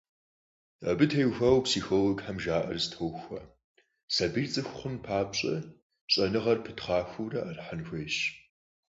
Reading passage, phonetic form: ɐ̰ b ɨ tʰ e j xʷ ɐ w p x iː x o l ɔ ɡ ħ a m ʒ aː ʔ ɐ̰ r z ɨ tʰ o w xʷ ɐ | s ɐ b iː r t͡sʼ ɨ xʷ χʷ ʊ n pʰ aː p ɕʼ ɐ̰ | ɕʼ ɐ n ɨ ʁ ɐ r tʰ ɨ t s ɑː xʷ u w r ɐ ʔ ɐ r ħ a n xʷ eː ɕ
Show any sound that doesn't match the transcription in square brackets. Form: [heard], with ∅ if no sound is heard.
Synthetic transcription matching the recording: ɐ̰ b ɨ tʰ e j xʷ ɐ w p [s] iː x o l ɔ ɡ ħ a m ʒ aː ʔ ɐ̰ r z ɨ tʰ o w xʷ ɐ | s ɐ b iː r t͡sʼ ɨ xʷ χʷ ʊ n pʰ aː p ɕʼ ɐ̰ | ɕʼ ɐ n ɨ ʁ ɐ r [pʰ] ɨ t [χ] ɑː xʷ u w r ɐ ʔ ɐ r ħ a n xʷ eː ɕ